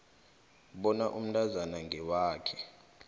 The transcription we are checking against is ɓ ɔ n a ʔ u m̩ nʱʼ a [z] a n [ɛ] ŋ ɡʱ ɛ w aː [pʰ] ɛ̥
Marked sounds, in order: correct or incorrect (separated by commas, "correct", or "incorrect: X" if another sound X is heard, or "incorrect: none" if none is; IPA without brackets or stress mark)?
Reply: correct, incorrect: a, incorrect: kʰ